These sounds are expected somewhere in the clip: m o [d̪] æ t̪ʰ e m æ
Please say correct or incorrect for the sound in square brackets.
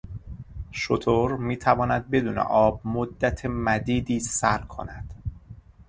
incorrect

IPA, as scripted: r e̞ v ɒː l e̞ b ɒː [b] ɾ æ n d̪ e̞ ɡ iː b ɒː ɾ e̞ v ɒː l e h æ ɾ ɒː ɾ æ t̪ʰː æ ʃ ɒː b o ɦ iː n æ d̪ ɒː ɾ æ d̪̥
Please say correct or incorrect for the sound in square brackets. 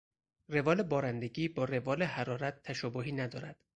incorrect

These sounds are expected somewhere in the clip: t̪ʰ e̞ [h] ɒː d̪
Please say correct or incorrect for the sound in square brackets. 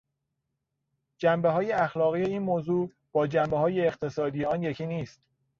incorrect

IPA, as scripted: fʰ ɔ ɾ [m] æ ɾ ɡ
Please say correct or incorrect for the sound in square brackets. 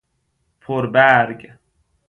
incorrect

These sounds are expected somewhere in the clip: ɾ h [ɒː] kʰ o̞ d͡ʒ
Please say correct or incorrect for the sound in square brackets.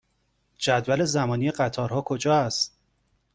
correct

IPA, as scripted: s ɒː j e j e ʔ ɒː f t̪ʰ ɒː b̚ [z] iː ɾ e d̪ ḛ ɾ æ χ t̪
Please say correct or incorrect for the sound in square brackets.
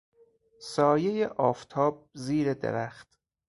correct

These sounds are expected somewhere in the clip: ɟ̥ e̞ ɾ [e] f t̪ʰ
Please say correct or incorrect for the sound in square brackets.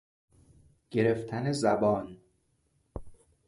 correct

